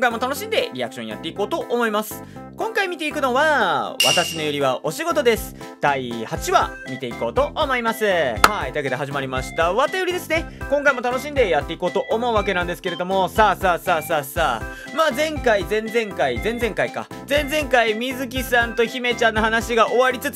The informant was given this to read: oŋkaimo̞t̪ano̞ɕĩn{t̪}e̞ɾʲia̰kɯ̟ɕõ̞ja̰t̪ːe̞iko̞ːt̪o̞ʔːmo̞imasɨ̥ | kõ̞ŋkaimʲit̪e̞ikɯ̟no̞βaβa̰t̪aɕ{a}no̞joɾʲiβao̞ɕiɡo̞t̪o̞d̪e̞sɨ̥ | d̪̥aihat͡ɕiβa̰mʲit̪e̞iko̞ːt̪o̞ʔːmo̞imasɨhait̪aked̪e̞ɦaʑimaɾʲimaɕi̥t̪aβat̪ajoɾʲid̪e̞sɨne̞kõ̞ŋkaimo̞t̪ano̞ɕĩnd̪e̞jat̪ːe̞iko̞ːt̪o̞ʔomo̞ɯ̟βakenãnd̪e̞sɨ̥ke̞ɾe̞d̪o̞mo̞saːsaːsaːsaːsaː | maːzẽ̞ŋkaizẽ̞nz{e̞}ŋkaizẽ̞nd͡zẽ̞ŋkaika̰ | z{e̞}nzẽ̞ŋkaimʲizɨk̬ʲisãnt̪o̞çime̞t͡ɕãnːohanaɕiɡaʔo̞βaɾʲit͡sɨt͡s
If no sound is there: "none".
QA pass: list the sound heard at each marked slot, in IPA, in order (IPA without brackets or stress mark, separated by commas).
d̪, i, ẽ̞, ẽ̞